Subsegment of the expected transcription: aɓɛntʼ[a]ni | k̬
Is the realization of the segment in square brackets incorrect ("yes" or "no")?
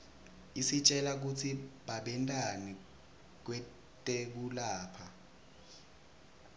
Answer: no